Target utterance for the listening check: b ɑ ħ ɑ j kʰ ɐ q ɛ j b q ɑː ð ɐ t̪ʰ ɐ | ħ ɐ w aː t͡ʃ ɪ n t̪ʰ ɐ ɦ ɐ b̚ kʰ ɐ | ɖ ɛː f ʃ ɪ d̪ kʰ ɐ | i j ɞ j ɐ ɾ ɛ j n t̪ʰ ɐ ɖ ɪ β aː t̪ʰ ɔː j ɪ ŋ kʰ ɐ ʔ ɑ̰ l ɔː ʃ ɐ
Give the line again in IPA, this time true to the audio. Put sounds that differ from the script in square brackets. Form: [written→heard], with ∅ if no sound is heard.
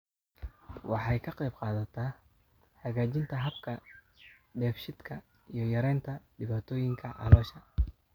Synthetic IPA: [b→w] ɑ ħ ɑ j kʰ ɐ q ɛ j b q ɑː ð ɐ t̪ʰ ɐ | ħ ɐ [w→ɣ] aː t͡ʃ ɪ n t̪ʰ ɐ ɦ ɐ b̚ kʰ ɐ | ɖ ɛː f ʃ ɪ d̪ kʰ ɐ | i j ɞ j ɐ ɾ ɛ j n t̪ʰ ɐ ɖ ɪ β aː t̪ʰ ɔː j ɪ ŋ kʰ ɐ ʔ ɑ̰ l ɔː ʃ ɐ

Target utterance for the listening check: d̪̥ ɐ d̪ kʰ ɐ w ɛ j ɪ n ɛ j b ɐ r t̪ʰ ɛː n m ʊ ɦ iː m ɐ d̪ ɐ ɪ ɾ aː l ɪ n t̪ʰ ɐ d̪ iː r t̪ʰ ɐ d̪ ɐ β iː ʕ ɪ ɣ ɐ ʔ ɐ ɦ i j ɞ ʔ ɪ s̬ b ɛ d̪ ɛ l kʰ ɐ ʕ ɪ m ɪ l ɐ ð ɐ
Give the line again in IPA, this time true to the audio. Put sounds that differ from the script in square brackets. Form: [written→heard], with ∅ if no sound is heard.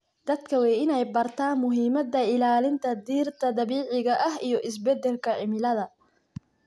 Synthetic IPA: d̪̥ ɐ d̪ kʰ ɐ w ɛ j ɪ n ɛ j b ɐ r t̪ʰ [ɛː→aː] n m ʊ ɦ iː m ɐ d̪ ɐ ɪ [ɾ→l] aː l ɪ n t̪ʰ ɐ d̪ iː r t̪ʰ ɐ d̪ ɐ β iː ʕ ɪ ɣ ɐ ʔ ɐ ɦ i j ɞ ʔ ɪ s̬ b ɛ d̪ ɛ l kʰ ɐ ʕ ɪ m ɪ l ɐ ð ɐ

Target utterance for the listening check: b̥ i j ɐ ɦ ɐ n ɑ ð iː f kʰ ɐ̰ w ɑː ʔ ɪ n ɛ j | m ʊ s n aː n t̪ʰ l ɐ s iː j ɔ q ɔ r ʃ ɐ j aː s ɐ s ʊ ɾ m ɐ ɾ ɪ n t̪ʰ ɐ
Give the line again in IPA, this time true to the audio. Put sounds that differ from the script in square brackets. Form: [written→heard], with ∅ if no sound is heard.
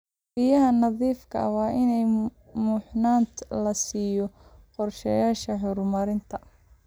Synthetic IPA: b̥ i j ɐ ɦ ɐ n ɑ ð iː f kʰ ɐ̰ w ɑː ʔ ɪ n ɛ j | m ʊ [s→ħ] n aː n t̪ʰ l ɐ s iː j ɔ q ɔ r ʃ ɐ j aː [s→ʃ] ɐ [s→ħ] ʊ ɾ m ɐ ɾ ɪ n t̪ʰ ɐ

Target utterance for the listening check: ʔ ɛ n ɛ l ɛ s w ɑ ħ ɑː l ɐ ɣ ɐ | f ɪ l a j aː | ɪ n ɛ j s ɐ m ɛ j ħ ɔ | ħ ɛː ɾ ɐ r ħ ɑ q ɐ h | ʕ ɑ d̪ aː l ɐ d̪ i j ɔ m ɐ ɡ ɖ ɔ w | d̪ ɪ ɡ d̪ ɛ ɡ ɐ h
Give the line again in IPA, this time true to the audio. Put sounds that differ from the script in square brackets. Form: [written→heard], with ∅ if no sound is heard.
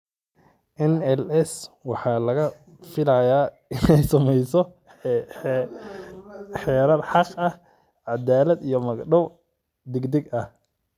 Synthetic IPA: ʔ ɛ n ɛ l ɛ s w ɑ ħ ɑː l ɐ ɣ ɐ | f ɪ l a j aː | ɪ n ɛ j s ɐ m ɛ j [ħ→s] ɔ | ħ ɛː ɾ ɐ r ħ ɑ q ɐ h | ʕ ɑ d̪ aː l ɐ d̪ i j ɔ m ɐ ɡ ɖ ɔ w | d̪ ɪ ɡ d̪ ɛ ɡ ɐ h

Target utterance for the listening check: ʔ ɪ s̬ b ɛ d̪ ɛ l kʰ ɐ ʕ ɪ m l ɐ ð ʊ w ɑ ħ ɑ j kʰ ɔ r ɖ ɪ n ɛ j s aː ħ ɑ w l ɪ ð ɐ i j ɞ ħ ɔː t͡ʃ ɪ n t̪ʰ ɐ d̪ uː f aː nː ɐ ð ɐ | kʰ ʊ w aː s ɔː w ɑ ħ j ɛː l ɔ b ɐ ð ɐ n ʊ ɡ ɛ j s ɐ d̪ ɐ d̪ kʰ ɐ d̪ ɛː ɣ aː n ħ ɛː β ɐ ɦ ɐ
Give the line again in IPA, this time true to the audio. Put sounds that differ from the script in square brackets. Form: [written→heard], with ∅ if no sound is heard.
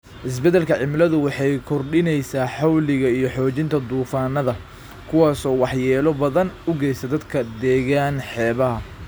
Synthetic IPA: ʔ ɪ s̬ b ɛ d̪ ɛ l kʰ ɐ ʕ ɪ m l ɐ ð ʊ w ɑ ħ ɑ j kʰ ɔ r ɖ ɪ n ɛ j s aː ħ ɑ w l ɪ [ð→ɣ] ɐ i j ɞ ħ ɔː t͡ʃ ɪ n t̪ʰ ɐ d̪ uː f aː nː ɐ ð ɐ | kʰ ʊ w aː s ɔː w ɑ ħ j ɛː l ɔ b ɐ ð ɐ n ʊ ɡ ɛ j s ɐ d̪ ɐ d̪ kʰ ɐ d̪ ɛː ɣ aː n ħ ɛː β ɐ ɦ ɐ

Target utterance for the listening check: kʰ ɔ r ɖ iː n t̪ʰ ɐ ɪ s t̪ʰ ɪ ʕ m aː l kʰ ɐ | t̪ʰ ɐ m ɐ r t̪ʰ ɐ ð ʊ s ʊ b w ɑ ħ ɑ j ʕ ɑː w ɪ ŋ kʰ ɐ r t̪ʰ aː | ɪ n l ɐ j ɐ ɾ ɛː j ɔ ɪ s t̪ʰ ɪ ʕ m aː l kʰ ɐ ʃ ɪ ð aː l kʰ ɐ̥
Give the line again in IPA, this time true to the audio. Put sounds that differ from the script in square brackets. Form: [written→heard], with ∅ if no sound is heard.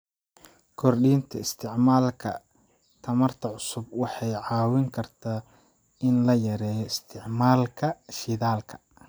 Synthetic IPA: kʰ ɔ r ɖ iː n t̪ʰ ɐ ɪ s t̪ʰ ɪ ʕ m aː l kʰ ɐ | t̪ʰ ɐ m ɐ r t̪ʰ ɐ [ð→ʕ] ʊ s ʊ b w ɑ ħ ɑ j ʕ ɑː w ɪ ŋ kʰ ɐ r t̪ʰ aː | ɪ n l ɐ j ɐ ɾ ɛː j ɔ ɪ s t̪ʰ ɪ ʕ m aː l kʰ ɐ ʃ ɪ ð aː l kʰ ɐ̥

